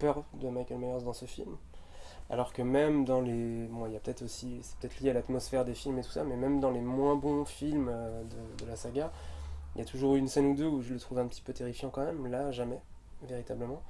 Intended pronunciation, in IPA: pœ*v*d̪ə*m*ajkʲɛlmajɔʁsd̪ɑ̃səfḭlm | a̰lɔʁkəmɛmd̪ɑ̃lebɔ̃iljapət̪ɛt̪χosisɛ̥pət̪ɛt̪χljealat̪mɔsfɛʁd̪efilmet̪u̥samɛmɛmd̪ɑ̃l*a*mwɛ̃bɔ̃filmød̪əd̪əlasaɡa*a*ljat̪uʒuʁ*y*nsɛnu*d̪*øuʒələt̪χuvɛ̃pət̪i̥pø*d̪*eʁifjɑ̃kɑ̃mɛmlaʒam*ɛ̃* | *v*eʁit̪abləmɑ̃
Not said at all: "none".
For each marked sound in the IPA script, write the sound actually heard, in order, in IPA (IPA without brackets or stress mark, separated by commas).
ʁ, m, e, i, y, d̪, t̪, ɛ, v